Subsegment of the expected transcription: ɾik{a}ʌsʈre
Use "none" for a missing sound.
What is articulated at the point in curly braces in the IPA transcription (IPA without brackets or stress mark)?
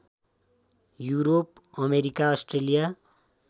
a